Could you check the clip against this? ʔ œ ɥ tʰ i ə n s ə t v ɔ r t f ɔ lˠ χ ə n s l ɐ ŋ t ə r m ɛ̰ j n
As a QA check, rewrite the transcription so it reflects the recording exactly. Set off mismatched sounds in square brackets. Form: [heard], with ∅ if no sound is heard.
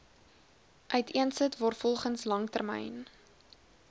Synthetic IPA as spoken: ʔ œ ɥ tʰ i ə n s ə t v ɔ r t f ɔ lˠ χ ə n s l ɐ ŋ t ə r m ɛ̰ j n